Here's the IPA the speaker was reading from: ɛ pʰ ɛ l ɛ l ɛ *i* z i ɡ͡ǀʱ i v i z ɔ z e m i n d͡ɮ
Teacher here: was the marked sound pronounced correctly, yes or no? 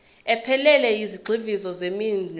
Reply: yes